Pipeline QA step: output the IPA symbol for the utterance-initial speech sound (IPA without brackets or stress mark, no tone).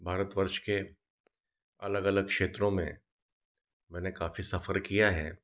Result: bʱ